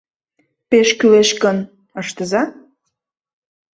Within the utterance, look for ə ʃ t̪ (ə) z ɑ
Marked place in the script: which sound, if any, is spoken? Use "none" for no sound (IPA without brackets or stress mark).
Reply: ə